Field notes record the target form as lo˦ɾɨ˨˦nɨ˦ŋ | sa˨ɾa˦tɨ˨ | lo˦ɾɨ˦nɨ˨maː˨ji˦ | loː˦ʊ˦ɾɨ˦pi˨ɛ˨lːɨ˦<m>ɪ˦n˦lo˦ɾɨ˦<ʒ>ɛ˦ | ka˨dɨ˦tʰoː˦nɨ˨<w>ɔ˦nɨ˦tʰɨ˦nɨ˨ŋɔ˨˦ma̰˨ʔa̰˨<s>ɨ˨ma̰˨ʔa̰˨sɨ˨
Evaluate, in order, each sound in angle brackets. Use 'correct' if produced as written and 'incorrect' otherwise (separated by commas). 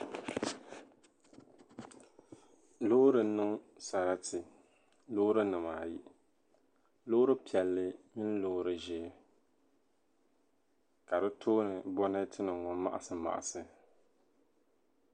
correct, correct, incorrect, correct